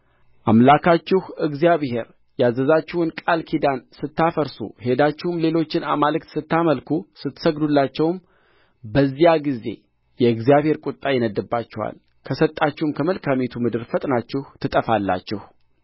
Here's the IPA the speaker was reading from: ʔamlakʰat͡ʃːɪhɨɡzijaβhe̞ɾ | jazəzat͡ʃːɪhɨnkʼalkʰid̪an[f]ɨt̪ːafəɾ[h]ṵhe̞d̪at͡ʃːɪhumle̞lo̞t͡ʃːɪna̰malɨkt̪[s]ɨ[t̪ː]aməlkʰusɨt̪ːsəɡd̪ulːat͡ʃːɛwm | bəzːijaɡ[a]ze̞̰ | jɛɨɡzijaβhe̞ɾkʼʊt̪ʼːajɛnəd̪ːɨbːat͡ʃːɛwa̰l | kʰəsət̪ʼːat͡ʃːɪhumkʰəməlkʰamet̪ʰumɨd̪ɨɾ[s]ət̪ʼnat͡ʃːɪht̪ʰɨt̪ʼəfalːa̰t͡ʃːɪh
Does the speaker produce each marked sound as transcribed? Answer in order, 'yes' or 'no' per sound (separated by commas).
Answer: no, no, yes, yes, no, no